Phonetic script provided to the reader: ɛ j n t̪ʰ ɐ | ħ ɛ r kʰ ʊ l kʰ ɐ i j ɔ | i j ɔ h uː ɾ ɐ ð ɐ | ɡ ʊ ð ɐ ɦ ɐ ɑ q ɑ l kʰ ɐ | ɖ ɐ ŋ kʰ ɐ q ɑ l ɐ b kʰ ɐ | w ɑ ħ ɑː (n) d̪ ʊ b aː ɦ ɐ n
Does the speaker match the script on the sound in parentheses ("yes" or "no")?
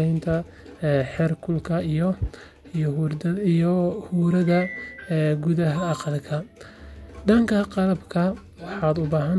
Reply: no